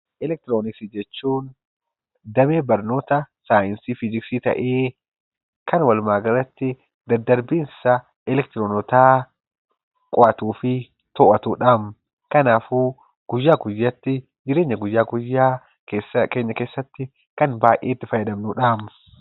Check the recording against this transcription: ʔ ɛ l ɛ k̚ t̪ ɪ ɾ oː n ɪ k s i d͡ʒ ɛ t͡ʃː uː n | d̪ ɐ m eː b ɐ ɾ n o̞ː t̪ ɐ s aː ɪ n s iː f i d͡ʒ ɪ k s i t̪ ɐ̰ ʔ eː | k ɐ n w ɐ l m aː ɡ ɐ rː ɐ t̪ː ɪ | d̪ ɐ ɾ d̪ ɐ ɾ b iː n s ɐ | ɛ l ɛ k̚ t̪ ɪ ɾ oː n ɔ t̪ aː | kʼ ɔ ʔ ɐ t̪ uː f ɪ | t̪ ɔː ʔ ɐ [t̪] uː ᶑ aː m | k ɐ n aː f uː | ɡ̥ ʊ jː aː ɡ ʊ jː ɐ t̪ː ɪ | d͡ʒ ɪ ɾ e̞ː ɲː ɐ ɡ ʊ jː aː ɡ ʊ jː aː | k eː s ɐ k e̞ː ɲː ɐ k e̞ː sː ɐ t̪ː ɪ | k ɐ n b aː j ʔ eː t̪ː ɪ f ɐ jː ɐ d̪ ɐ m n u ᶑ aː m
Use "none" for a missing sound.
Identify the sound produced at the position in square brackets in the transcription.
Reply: t̪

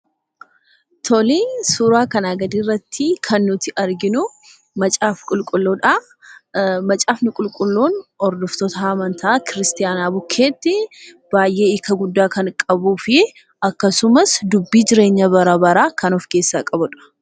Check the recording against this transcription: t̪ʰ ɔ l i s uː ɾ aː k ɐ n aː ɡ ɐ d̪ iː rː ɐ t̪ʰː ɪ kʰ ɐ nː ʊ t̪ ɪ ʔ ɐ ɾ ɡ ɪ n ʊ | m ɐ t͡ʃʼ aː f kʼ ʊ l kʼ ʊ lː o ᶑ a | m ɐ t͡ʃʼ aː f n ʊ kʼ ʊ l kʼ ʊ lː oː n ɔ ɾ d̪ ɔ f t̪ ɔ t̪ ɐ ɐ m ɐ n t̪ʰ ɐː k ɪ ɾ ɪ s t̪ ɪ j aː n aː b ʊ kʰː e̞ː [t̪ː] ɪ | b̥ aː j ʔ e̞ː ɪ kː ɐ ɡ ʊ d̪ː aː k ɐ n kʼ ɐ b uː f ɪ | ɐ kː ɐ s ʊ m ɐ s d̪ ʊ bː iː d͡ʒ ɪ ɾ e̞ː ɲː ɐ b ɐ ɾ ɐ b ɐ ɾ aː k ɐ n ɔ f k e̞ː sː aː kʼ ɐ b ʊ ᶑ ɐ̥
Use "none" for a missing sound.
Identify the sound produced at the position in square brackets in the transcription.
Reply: t̪ː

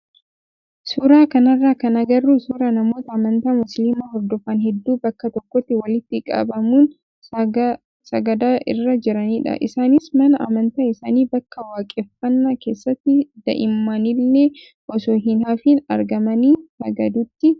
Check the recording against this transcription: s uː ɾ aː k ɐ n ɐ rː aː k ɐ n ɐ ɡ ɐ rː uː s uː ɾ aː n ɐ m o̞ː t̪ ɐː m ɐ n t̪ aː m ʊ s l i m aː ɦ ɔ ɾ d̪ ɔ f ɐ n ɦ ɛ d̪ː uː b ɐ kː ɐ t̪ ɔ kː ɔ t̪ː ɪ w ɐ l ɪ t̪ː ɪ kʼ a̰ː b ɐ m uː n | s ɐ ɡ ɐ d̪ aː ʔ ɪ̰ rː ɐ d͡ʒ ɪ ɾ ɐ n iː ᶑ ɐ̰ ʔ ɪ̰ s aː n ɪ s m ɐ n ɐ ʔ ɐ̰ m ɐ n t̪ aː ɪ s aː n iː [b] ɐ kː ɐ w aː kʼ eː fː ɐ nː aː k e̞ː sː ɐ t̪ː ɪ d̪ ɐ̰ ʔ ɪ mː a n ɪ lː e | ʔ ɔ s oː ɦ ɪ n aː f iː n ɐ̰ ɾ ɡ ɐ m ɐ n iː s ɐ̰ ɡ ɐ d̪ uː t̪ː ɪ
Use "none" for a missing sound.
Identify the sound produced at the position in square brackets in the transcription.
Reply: b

